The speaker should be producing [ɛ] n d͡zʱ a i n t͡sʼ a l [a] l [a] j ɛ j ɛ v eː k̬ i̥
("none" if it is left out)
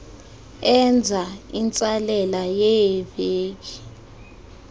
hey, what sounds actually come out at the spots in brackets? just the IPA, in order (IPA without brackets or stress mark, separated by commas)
ɛ, ɛ, a